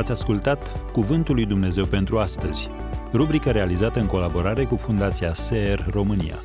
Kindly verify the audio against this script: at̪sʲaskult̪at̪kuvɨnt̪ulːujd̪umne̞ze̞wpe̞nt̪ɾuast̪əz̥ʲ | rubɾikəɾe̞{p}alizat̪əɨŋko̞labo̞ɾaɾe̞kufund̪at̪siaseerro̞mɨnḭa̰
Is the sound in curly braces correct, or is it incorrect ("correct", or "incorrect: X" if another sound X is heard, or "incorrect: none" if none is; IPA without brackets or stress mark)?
incorrect: none